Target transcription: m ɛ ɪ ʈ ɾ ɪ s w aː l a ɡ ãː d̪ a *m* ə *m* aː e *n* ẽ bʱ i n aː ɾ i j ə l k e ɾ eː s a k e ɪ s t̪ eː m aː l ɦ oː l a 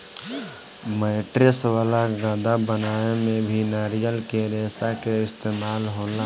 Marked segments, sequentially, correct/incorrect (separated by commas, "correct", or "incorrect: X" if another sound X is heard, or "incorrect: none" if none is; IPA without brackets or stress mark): incorrect: b, incorrect: n, incorrect: m